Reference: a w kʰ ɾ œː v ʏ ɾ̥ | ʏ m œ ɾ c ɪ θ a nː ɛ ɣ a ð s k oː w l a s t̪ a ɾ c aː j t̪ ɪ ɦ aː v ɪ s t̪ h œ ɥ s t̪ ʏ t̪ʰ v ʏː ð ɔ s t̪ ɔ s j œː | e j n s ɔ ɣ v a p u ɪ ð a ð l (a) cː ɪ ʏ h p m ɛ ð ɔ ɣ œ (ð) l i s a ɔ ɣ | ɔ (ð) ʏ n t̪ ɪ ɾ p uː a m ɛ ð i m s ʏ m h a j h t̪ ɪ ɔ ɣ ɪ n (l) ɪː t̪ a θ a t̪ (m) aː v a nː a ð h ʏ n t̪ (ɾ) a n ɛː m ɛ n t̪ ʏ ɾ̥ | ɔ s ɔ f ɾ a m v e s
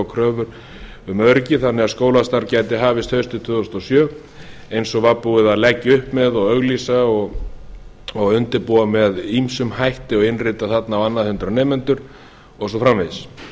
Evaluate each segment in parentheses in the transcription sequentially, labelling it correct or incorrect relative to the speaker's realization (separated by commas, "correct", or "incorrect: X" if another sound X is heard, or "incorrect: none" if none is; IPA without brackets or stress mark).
incorrect: ɛ, incorrect: ɣ, incorrect: ɣ, incorrect: r, incorrect: n, correct